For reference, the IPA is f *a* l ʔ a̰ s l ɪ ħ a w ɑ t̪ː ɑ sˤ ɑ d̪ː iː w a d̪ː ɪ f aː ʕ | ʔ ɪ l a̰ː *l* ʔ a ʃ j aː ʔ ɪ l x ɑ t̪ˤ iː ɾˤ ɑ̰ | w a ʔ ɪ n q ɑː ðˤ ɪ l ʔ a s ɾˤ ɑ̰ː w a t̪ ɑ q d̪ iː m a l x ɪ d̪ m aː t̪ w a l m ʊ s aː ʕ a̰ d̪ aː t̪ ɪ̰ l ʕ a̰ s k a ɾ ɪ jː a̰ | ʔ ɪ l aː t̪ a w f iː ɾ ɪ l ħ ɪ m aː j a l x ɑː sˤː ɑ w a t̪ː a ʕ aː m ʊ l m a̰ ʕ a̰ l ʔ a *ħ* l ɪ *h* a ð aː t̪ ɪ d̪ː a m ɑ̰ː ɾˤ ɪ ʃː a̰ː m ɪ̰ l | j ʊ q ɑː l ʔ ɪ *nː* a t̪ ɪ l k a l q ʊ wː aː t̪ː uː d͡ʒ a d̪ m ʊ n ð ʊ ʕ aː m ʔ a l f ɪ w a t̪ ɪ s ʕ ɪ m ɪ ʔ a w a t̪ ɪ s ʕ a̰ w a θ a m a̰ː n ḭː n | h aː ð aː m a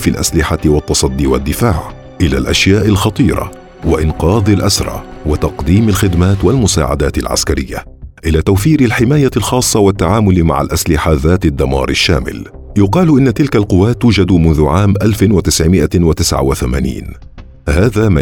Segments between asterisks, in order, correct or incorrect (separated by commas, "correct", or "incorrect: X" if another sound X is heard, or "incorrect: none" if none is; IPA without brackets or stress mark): incorrect: i, correct, incorrect: s, incorrect: ħ, correct